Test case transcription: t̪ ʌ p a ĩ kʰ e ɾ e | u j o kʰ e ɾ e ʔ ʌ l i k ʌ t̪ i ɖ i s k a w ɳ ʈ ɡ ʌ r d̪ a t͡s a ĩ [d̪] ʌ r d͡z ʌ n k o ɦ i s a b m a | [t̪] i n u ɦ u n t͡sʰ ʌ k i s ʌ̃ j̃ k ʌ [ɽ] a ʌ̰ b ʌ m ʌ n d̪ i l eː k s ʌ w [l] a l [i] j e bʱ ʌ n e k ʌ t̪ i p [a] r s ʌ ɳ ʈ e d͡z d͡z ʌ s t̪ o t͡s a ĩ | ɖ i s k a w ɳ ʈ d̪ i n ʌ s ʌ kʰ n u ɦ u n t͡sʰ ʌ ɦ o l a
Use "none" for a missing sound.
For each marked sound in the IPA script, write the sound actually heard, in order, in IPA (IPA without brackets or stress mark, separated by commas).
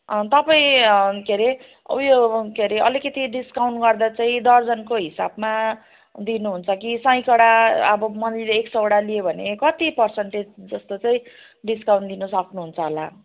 d̪, d̪, ɽ, ɽ, i, ʌ